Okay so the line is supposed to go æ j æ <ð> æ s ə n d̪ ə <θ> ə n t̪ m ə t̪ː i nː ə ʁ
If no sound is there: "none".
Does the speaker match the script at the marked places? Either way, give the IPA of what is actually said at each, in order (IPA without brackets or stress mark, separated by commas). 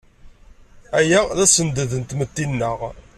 ð, ð